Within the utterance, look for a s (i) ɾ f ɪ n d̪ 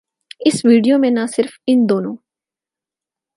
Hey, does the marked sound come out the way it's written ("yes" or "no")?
no